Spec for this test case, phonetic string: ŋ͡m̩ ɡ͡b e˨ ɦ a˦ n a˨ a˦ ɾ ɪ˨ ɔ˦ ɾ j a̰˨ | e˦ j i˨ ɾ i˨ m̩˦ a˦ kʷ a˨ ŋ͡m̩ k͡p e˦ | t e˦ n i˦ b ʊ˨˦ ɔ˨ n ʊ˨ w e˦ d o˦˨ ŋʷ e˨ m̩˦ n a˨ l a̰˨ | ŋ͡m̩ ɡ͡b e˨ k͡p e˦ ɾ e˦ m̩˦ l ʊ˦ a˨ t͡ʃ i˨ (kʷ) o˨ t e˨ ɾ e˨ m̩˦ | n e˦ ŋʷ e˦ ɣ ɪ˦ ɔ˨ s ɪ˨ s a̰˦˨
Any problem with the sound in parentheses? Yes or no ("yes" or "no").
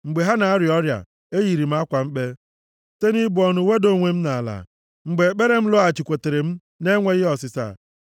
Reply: no